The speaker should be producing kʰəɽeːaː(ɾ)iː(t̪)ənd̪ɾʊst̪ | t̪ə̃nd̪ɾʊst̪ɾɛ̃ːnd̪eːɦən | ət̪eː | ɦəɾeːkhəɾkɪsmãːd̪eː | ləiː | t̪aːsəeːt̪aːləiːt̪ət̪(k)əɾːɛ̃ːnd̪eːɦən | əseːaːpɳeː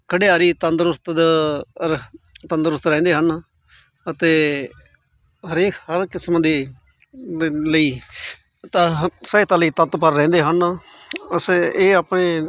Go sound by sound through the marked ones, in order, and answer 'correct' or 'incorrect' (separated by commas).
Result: correct, correct, incorrect